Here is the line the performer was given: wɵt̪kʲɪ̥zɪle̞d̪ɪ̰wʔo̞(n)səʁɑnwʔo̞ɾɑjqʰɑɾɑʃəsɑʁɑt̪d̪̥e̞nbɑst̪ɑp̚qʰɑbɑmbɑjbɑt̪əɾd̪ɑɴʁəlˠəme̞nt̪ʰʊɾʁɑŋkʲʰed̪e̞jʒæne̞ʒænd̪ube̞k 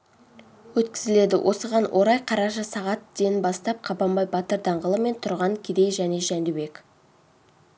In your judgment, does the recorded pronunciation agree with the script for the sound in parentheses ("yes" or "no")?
no